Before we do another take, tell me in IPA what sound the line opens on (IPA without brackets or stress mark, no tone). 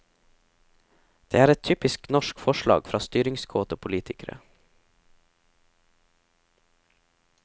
d̪̥